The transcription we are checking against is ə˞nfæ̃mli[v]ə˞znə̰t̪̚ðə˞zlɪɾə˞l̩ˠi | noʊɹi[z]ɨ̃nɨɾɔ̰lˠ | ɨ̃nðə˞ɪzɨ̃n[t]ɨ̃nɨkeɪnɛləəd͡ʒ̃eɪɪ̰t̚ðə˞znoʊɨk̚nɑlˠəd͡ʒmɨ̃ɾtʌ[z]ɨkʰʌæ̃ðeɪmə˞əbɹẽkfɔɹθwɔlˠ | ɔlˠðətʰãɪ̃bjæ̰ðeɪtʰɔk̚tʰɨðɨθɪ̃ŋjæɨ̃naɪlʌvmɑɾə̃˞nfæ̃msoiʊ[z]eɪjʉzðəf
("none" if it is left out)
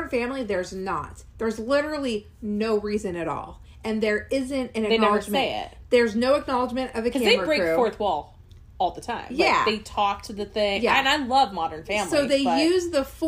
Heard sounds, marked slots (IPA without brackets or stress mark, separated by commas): ð, z, t, v, ð